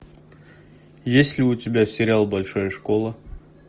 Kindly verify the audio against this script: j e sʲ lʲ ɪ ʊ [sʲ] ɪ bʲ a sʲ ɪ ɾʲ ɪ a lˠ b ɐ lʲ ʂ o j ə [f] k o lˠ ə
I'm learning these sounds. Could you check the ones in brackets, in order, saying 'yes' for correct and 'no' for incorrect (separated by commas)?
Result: no, no